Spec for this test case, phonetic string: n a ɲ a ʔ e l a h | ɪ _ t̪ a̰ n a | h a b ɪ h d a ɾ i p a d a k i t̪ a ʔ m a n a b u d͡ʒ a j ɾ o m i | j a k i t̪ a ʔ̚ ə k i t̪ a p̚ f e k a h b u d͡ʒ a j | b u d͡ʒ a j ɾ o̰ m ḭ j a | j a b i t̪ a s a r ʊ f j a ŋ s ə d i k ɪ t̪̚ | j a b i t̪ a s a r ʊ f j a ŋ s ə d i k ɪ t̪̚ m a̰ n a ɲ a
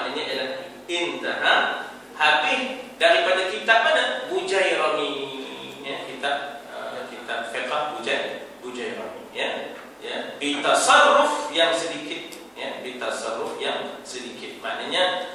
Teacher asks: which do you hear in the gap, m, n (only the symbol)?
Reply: n